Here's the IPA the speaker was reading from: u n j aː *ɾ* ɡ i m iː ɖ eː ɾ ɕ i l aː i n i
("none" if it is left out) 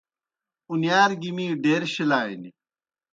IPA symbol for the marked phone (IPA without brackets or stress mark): ɾ